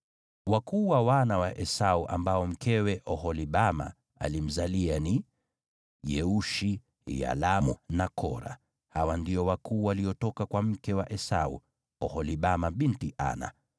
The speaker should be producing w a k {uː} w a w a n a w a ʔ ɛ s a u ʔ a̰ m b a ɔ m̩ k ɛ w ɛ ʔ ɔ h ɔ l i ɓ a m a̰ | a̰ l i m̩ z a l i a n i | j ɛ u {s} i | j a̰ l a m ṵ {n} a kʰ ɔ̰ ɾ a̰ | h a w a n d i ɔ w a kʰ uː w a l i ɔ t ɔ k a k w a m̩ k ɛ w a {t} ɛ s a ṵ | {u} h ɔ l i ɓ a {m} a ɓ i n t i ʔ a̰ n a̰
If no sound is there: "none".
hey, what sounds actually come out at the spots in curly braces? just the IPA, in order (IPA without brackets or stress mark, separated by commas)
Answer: uː, ʃ, n, ʔ, ɔ, m